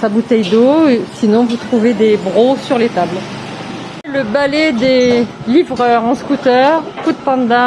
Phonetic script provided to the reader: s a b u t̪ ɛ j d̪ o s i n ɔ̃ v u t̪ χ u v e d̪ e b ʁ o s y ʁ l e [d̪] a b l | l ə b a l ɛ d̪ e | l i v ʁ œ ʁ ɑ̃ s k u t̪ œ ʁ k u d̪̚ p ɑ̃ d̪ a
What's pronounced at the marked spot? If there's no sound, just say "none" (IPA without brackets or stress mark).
t̪